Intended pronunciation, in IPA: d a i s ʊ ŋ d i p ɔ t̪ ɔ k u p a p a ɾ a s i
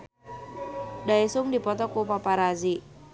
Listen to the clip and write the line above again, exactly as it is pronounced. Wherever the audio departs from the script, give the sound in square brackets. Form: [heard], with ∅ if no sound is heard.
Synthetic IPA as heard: d a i s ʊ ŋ d i p ɔ t̪ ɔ k u p a p a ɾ a [z] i